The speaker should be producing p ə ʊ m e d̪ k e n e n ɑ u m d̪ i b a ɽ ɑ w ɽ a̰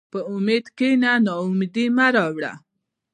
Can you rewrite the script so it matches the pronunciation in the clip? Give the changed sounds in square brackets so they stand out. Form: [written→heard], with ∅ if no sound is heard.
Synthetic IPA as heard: p ə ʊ m e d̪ k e n [e→a] n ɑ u m d̪ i [b→m] a [ɽ→ɾ] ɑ w ɽ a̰